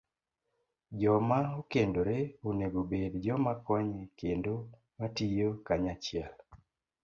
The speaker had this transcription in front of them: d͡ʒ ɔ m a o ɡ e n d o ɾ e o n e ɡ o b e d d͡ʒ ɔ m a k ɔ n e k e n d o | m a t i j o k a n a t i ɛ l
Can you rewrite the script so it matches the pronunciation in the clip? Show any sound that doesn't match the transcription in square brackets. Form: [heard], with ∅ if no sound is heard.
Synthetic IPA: d͡ʒ ɔ m a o [k] e n d o ɾ e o n e ɡ o b e d d͡ʒ ɔ m a k ɔ [ɲ] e k e n d o | m a t i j o k a [ɲ] a [t͡ʃ] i ɛ l